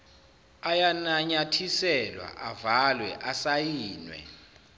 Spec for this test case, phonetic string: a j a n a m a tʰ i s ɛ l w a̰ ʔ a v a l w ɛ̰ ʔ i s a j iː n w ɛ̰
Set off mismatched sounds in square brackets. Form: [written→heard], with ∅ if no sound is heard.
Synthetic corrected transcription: a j a n a [m→ɲ] a tʰ i s ɛ l w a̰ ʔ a v a l w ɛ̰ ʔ [i→a] s a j iː n w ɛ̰